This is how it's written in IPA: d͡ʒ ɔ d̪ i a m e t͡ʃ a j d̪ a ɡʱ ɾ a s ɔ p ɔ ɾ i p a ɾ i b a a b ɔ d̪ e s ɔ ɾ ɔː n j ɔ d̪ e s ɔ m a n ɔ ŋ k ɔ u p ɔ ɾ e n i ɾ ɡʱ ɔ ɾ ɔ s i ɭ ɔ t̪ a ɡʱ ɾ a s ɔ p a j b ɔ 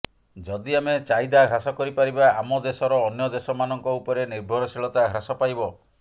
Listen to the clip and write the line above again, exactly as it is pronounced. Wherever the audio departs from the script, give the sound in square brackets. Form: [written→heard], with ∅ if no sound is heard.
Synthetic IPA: d͡ʒ ɔ d̪ i a m e t͡ʃ a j d̪ a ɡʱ ɾ a s ɔ [p→k] ɔ ɾ i p a ɾ i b a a [b→m] ɔ d̪ e s ɔ ɾ ɔː n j ɔ d̪ e s ɔ m a n ɔ ŋ k ɔ u p ɔ ɾ e n i ɾ [ɡʱ→bʱ] ɔ ɾ ɔ s i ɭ ɔ t̪ a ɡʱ ɾ a s ɔ p a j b ɔ